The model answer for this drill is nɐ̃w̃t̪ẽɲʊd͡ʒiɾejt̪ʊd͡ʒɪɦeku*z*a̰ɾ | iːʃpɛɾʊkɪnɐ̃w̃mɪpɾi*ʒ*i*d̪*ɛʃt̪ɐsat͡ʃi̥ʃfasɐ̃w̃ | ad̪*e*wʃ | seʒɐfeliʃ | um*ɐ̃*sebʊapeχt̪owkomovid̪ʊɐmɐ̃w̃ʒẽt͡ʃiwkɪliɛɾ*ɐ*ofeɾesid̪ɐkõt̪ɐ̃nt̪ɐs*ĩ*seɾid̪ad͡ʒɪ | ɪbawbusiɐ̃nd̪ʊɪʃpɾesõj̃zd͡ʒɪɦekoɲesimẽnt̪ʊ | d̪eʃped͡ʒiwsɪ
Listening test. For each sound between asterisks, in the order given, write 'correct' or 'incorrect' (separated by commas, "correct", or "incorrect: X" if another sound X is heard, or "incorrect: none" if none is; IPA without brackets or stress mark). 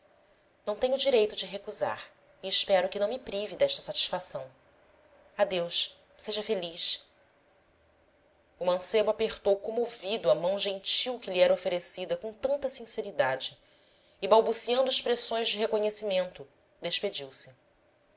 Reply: correct, incorrect: v, correct, correct, correct, correct, correct